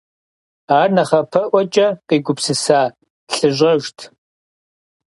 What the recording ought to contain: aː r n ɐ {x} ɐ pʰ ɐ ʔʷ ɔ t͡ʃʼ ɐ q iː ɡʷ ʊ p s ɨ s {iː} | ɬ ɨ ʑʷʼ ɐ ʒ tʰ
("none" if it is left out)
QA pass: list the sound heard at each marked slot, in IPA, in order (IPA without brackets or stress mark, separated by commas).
χ, aː